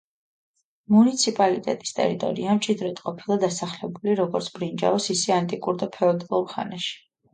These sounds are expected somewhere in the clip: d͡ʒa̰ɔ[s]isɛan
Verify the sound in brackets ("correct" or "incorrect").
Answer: correct